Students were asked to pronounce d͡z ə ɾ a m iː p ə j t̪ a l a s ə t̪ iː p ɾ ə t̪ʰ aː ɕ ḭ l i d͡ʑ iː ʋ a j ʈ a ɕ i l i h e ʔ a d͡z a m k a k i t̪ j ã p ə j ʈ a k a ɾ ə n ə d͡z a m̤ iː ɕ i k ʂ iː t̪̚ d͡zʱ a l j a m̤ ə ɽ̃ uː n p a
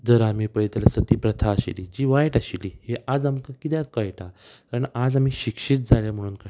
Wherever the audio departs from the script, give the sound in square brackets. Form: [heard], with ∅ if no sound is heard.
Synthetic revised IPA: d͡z ə ɾ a m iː p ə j t̪ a l a s ə t̪ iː p ɾ ə t̪ʰ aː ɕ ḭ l i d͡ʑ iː ʋ a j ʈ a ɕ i l i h e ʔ a d͡z a m k a k i t̪ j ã [k] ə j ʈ a k a ɾ ə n [a] d͡z a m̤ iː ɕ i k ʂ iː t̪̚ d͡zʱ a l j a m̤ ə ɽ̃ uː n [k] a